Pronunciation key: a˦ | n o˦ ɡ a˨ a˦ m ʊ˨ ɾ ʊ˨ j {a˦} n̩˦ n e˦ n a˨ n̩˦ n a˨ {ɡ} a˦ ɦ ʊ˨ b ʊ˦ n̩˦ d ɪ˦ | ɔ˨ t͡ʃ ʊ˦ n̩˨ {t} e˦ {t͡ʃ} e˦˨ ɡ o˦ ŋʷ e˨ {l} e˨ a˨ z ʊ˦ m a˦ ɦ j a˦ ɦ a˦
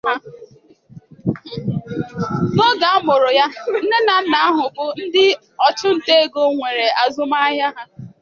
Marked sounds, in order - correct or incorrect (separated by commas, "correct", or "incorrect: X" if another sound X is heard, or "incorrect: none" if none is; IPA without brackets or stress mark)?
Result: correct, incorrect: none, correct, incorrect: none, incorrect: ɾ